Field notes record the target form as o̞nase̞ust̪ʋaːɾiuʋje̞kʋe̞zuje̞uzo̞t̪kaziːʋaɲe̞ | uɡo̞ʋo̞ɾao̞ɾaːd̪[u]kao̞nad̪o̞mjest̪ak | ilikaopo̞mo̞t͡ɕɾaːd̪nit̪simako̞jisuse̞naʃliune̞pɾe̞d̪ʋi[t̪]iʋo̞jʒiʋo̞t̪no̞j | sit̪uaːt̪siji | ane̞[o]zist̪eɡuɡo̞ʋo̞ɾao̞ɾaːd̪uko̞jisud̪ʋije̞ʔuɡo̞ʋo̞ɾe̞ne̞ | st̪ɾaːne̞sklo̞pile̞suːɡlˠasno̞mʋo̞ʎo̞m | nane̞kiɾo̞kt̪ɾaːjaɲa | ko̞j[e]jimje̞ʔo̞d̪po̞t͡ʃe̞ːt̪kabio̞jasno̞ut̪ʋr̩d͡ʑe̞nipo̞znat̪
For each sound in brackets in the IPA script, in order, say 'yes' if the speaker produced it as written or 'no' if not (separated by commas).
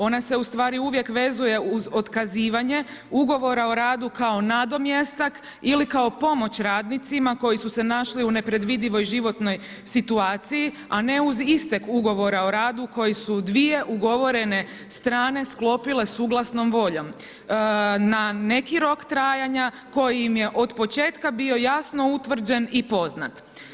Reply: yes, no, no, no